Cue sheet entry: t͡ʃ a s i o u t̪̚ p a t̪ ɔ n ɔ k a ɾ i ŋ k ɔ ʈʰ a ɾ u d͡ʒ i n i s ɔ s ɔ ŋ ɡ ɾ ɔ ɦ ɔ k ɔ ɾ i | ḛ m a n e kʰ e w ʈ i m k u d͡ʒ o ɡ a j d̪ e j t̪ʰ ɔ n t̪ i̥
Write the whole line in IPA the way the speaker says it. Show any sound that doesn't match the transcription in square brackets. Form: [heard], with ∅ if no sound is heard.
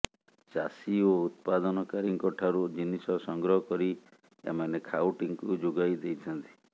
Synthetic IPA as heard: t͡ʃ a s i o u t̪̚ p a [d̪] ɔ n ɔ k a ɾ i ŋ k ɔ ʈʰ a ɾ u d͡ʒ i n i s ɔ s ɔ ŋ ɡ ɾ ɔ ɦ ɔ k ɔ ɾ i | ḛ m a n e kʰ [a] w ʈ i [ŋ] k u d͡ʒ o ɡ a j d̪ e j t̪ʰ ɔ n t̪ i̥